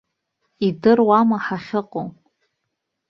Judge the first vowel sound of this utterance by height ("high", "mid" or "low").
high